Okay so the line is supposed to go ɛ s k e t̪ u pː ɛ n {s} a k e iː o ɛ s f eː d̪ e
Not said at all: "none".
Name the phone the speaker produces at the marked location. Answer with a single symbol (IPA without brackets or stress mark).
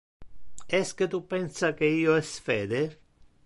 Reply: s